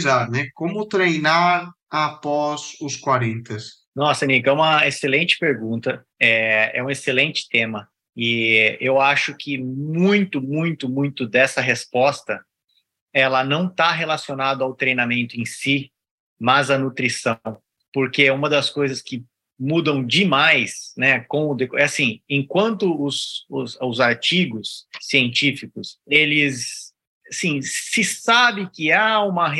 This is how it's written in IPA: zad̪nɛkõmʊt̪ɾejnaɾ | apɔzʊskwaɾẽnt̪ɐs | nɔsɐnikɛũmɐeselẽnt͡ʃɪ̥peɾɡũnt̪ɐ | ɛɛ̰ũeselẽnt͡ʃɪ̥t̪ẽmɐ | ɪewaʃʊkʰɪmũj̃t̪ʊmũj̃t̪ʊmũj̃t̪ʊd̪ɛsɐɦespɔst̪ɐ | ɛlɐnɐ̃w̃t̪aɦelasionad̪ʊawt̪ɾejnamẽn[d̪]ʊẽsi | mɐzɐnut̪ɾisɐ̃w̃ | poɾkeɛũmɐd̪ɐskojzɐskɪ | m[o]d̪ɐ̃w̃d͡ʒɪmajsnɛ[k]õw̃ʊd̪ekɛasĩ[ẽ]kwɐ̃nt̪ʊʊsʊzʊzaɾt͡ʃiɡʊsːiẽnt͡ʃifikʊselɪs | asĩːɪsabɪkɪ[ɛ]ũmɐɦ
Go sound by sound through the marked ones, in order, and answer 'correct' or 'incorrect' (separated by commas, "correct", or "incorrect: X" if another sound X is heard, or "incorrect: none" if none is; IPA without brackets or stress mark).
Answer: incorrect: t̪, incorrect: u, correct, correct, incorrect: a